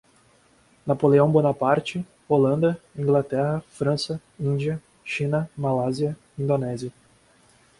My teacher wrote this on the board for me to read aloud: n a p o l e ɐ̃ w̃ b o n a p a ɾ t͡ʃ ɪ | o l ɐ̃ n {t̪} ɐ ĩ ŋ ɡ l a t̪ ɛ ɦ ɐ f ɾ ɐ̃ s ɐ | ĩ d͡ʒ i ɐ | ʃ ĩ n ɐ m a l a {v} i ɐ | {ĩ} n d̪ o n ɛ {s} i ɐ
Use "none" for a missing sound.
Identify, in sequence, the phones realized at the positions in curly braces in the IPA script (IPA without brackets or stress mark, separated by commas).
d̪, z, ĩ, z